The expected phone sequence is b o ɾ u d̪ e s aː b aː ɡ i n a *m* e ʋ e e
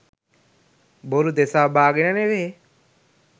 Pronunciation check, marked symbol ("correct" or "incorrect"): incorrect